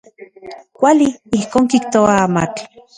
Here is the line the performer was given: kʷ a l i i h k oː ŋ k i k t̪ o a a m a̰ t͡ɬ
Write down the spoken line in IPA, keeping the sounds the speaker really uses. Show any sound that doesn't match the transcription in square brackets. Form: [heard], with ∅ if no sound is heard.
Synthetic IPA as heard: kʷ a l i i h k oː ŋ k i k t̪ o a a m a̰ t͡ɬ